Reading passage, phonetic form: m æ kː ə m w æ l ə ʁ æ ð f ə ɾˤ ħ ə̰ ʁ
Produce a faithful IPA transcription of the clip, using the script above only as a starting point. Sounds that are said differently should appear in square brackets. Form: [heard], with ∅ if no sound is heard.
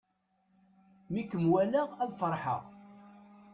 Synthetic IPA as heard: m [i] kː ə m w æ l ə ʁ æ ð f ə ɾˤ ħ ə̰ ʁ